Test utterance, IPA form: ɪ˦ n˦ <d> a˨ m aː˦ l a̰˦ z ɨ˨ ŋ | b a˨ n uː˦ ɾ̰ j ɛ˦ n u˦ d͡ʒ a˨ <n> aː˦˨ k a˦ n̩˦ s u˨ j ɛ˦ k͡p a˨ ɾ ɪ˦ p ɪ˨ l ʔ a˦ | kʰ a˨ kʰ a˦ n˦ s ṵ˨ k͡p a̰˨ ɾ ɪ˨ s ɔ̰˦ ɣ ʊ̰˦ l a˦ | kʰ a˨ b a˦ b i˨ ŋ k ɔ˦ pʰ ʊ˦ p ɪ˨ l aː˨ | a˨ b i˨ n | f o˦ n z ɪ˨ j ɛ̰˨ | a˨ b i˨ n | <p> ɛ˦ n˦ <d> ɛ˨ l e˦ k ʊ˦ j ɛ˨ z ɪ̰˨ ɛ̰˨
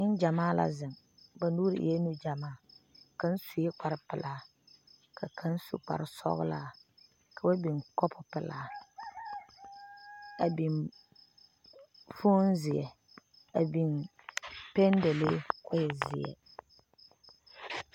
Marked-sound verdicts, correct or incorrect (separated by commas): incorrect, incorrect, correct, correct